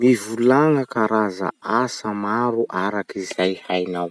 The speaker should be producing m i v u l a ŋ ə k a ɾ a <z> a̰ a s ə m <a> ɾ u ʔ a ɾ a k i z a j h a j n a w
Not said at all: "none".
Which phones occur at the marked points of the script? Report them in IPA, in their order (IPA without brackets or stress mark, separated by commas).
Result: z, a